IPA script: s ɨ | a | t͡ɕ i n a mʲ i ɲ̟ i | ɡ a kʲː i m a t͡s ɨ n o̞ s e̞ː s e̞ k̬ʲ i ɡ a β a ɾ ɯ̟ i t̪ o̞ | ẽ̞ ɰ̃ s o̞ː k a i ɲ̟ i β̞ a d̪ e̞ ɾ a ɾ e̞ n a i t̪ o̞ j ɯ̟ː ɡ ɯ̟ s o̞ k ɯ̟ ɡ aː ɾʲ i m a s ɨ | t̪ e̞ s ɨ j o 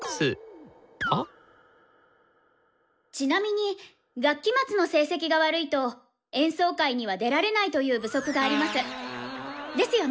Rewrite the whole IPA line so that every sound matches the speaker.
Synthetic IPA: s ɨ | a | t͡ɕ i n a mʲ i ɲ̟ i | ɡ a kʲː i m a t͡s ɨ n o̞ s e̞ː s e̞ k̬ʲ i ɡ a β a ɾ ɯ̟ i t̪ o̞ | ẽ̞ ɰ̃ s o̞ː k a i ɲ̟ i β̞ a d̪ e̞ ɾ a ɾ e̞ n a i t̪ o̞ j ɯ̟ː b ɯ̟ s o̞ k ɯ̟ ɡ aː ɾʲ i m a s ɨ | d̪ e̞ s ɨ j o